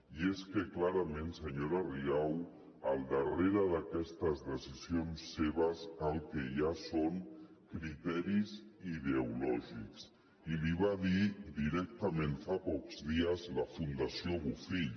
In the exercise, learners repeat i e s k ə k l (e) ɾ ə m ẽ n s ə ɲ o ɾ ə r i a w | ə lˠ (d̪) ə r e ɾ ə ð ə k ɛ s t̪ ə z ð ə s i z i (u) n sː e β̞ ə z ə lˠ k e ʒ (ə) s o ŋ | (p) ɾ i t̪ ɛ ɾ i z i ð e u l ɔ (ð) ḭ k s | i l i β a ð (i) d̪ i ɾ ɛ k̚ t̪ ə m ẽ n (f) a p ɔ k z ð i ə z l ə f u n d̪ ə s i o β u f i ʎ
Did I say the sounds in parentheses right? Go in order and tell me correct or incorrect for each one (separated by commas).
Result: incorrect, correct, incorrect, incorrect, incorrect, incorrect, correct, correct